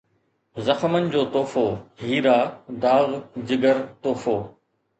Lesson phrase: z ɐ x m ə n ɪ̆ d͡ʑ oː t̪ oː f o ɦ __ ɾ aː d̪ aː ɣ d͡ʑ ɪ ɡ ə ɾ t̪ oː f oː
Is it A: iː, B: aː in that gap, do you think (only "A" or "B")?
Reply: A